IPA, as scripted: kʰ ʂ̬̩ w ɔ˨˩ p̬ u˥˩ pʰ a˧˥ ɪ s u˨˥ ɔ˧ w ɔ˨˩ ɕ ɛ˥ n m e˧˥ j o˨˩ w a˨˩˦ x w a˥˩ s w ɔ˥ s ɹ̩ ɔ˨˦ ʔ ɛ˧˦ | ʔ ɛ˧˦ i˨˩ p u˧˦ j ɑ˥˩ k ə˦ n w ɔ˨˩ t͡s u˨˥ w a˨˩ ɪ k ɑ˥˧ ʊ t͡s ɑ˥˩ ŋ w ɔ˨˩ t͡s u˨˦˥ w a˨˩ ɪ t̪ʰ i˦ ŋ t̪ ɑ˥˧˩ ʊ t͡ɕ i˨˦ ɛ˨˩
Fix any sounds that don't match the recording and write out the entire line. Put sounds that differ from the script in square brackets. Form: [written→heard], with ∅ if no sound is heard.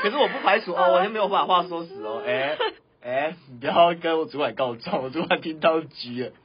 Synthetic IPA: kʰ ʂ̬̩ w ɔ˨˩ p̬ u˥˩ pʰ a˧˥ ɪ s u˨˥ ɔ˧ w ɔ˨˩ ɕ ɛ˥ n m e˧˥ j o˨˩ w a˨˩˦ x w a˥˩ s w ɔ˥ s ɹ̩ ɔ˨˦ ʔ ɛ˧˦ | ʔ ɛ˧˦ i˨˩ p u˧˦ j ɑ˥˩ k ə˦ n w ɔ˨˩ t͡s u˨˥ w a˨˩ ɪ k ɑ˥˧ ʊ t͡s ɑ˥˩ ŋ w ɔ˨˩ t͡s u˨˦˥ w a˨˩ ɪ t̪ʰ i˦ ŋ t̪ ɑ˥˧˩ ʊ t͡ɕ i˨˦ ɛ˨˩